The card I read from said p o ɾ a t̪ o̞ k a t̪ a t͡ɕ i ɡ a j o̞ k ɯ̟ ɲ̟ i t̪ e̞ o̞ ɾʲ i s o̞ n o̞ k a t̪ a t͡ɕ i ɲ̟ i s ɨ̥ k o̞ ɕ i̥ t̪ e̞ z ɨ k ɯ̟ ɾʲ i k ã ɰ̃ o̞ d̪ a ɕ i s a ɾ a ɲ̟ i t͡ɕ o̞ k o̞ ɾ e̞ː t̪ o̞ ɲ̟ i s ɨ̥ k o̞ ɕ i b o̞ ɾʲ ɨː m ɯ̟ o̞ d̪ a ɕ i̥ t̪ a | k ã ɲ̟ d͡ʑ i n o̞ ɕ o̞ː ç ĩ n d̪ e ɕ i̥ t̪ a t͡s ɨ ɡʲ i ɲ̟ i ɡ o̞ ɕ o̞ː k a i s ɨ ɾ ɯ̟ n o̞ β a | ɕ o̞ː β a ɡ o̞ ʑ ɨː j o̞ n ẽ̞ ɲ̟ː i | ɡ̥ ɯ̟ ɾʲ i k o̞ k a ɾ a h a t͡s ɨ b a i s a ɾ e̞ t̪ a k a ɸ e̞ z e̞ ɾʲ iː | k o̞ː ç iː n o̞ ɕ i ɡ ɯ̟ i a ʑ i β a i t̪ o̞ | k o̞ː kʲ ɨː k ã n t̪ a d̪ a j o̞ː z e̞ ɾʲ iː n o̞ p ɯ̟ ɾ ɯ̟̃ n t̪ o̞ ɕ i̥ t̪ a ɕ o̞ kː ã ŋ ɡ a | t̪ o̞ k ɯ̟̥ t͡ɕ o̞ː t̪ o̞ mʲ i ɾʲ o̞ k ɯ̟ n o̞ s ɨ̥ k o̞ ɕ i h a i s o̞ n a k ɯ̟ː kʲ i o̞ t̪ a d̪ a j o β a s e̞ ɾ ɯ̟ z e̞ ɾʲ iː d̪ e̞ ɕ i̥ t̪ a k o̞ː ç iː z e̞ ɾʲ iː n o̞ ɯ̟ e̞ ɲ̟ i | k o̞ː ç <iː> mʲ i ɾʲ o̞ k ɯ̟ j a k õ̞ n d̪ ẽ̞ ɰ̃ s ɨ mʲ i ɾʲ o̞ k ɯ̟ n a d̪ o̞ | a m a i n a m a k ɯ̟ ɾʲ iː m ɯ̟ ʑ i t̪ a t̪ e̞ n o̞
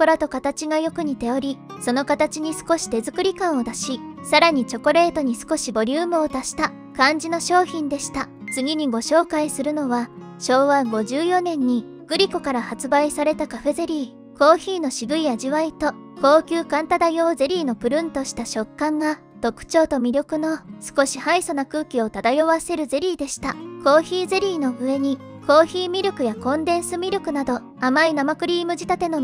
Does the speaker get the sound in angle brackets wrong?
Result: no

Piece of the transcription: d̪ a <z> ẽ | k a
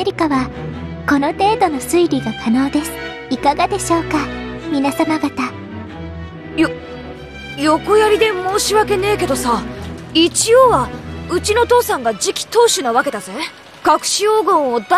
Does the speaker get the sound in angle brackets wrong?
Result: no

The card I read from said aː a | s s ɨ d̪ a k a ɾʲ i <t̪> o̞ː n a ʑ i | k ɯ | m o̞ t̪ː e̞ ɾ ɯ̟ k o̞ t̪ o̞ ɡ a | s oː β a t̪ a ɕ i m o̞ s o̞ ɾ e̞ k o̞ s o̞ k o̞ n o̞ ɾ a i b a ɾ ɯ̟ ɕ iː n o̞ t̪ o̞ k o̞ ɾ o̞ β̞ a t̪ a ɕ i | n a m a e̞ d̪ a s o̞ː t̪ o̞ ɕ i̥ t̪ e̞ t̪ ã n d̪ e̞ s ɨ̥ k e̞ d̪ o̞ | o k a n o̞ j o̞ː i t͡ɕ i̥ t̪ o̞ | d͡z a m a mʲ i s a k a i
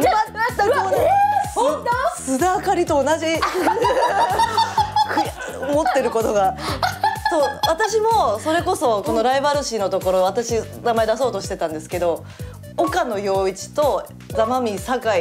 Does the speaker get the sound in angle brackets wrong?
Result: no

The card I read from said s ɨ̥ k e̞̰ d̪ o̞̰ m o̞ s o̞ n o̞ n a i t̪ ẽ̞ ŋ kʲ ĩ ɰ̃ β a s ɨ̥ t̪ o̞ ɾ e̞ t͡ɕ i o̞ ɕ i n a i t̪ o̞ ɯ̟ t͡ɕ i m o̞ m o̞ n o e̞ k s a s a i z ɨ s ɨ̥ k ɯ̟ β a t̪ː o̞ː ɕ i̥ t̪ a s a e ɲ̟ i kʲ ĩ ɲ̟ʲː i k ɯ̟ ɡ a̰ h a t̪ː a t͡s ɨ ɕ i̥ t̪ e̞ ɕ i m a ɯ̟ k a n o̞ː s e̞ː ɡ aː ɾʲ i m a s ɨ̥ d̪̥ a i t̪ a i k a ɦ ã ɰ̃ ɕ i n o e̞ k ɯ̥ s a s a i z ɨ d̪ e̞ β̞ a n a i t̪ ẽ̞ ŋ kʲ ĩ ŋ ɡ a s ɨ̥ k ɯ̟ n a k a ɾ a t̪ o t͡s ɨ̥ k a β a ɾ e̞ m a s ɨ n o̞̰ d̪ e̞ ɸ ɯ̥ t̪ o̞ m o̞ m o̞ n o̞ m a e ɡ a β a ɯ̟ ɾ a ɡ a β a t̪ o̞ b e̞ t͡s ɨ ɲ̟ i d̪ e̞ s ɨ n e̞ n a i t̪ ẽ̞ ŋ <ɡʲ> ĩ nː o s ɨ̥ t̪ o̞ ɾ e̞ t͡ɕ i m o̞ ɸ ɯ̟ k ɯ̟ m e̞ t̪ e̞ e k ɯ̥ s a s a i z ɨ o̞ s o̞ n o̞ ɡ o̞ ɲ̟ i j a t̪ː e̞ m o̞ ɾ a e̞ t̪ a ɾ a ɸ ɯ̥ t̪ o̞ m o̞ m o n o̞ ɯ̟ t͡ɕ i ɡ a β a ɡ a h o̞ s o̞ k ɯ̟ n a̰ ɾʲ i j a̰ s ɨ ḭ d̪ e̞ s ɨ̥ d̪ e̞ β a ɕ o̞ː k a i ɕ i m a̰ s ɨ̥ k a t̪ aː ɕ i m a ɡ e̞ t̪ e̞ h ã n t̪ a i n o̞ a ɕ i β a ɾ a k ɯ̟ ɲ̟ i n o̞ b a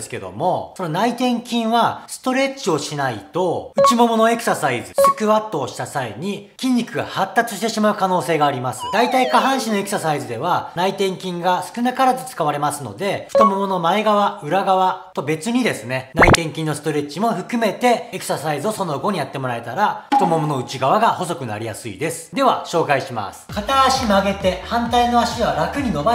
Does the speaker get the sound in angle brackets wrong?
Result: yes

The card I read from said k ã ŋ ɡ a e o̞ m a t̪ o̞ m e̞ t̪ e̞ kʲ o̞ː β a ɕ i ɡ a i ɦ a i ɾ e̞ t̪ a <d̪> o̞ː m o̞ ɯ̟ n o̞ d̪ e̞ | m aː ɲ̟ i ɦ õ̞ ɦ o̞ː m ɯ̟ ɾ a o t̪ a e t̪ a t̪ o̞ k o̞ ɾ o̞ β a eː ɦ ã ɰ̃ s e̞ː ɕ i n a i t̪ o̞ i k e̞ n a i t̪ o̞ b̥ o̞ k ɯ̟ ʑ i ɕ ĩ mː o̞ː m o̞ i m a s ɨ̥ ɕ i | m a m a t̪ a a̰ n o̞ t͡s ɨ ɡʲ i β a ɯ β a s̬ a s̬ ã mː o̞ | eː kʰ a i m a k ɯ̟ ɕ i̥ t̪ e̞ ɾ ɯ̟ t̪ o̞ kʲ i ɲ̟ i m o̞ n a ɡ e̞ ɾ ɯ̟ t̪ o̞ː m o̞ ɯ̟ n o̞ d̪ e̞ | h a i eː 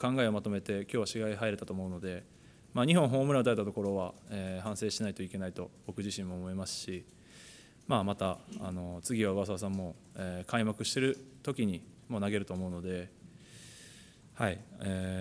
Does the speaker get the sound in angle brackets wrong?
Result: yes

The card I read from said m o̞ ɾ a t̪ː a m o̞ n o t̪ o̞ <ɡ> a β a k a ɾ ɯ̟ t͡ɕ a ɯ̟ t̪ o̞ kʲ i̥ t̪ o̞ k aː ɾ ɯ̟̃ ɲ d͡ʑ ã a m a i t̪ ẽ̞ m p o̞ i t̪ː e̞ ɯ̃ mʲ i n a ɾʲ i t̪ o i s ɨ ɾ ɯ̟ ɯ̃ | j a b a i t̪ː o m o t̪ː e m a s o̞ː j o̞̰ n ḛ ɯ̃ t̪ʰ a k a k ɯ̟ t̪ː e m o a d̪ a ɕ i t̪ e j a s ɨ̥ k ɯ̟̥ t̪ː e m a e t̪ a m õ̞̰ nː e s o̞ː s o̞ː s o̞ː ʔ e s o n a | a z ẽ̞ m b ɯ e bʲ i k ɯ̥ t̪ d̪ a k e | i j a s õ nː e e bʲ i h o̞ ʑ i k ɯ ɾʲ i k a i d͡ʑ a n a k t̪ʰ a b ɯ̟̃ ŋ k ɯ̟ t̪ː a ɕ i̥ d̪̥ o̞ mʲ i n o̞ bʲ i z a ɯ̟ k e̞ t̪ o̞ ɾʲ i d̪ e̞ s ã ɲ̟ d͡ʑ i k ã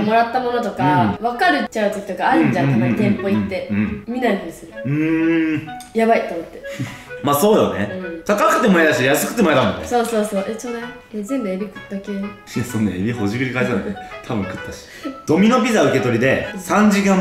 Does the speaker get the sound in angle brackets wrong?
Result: yes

